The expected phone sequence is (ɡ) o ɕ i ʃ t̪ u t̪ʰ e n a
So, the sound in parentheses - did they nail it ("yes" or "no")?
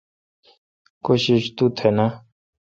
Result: no